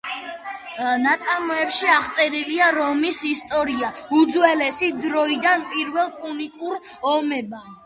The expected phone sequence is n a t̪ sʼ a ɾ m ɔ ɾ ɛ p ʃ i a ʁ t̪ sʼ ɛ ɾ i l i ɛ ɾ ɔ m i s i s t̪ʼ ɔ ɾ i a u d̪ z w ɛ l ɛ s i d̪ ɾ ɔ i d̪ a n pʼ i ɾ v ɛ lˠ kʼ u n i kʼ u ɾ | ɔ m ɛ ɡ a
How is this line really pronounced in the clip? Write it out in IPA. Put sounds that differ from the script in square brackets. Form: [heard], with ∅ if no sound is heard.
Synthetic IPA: n a t̪ sʼ a ɾ m ɔ [∅] ɛ p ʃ i a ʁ t̪ sʼ ɛ ɾ i l i [a] ɾ ɔ m i s i s t̪ʼ ɔ ɾ i a u d̪ z w ɛ l ɛ s i d̪ ɾ ɔ i d̪ a n pʼ i ɾ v ɛ lˠ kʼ u n i kʼ u ɾ | ɔ m ɛ [b] a